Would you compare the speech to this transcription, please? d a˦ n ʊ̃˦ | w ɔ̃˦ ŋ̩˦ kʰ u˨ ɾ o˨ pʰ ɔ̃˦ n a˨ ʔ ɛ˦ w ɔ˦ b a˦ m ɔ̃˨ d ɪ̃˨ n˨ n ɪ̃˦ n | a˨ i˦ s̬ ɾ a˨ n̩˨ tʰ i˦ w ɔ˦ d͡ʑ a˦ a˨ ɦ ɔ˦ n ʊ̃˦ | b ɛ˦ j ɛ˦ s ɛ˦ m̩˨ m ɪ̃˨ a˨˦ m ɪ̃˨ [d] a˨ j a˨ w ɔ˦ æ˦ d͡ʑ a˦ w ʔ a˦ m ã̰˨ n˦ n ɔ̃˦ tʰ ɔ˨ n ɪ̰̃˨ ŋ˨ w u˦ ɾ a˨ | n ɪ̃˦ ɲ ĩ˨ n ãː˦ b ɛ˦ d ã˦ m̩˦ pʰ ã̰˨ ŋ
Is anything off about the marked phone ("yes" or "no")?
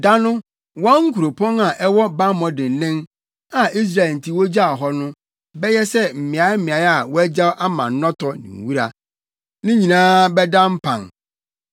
yes